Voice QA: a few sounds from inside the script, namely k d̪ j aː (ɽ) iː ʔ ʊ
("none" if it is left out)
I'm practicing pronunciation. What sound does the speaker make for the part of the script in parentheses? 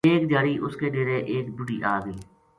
ɾ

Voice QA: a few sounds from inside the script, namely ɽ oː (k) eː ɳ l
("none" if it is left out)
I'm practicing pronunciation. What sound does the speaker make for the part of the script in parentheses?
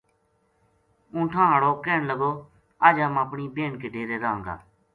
k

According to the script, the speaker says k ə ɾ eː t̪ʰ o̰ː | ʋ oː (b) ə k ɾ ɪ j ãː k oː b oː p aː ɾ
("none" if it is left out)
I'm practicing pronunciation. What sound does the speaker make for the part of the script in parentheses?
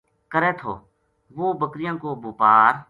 b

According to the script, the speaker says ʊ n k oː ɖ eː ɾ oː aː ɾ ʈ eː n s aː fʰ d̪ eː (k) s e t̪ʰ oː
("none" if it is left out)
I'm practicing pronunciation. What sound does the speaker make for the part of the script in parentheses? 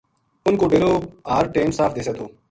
none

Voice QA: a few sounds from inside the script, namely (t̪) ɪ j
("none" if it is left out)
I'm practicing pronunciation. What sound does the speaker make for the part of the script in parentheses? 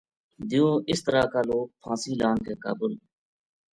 d̪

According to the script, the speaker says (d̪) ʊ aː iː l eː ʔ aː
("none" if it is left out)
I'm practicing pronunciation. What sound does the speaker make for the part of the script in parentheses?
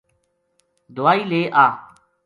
d̪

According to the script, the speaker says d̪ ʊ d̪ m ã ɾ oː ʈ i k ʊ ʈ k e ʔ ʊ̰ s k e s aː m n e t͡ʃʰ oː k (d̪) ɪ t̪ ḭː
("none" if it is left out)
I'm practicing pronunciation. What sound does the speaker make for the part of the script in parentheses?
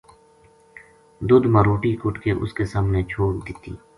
d̪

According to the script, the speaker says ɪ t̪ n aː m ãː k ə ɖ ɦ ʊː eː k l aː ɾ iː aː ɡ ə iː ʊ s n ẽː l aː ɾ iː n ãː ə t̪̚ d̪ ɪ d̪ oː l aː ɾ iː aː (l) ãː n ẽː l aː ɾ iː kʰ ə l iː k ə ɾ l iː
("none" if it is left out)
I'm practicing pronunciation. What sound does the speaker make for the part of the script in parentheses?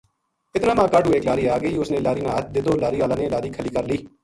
l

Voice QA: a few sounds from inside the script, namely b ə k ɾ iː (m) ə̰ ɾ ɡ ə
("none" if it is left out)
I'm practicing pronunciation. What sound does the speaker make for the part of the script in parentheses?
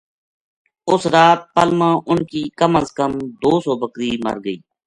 m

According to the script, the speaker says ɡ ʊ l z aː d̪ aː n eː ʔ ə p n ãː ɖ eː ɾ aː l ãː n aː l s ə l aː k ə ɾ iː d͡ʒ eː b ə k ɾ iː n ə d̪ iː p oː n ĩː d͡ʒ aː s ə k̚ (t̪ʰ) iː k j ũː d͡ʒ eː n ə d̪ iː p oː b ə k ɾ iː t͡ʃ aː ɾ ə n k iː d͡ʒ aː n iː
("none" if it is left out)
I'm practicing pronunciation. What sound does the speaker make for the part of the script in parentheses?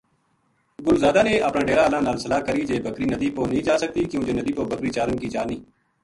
t̪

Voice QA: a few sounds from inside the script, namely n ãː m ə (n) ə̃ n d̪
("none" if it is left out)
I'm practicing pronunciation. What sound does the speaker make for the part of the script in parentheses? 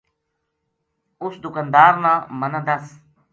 n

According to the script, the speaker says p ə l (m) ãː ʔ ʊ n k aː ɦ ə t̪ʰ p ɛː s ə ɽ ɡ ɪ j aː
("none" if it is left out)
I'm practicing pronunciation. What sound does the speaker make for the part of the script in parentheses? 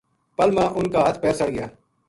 m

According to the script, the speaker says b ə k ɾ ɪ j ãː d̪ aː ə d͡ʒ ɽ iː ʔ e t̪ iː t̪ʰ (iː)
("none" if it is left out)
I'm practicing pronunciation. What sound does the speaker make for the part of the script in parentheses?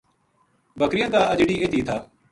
aː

